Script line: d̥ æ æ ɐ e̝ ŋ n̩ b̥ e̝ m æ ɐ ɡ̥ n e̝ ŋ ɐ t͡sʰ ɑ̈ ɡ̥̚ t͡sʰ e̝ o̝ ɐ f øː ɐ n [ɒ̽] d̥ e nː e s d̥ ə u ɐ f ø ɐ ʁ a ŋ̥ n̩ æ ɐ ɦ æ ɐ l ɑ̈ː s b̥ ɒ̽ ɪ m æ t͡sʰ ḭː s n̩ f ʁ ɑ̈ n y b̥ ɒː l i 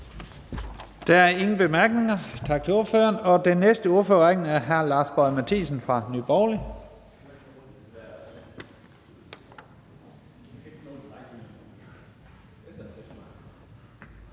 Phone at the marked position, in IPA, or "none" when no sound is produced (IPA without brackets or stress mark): ɒ̽